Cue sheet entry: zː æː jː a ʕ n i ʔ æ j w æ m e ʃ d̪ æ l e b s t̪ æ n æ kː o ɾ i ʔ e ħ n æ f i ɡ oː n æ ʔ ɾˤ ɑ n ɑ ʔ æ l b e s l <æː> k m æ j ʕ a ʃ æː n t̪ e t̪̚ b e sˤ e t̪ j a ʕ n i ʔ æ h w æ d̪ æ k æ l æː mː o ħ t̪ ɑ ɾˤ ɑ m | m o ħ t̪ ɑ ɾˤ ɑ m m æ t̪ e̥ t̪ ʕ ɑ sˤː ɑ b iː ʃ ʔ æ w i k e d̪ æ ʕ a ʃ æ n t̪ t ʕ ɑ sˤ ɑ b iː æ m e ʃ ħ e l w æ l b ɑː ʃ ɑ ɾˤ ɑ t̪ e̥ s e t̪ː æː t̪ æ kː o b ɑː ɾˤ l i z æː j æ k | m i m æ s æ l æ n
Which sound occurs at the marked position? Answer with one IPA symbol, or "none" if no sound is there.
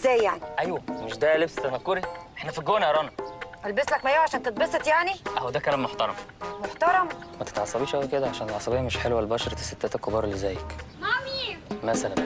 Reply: æ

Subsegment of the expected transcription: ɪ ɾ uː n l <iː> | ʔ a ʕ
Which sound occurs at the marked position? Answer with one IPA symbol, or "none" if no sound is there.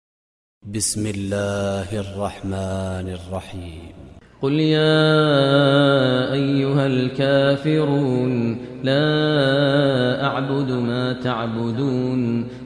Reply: aː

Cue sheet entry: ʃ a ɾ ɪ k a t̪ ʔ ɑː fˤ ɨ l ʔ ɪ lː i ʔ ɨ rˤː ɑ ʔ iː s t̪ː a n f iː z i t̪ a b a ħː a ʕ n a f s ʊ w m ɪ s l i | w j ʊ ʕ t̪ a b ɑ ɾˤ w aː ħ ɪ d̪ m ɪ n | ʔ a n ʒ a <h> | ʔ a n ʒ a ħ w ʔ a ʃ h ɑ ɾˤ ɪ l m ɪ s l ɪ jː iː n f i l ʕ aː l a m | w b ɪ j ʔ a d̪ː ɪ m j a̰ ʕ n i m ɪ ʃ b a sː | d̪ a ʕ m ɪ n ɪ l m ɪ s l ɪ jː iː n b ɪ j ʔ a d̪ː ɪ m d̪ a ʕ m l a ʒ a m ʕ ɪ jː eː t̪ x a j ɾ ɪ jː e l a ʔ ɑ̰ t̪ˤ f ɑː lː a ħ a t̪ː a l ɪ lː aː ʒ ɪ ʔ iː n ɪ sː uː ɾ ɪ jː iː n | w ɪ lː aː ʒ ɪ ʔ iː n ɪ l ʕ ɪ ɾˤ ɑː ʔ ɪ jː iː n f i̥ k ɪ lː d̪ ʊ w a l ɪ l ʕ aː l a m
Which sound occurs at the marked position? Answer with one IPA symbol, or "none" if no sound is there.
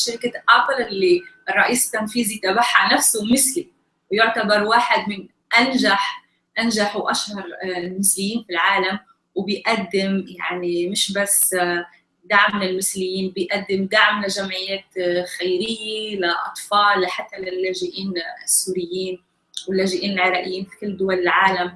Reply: ħ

